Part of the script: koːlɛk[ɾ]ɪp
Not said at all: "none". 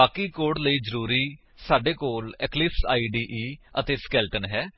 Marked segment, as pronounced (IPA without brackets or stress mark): l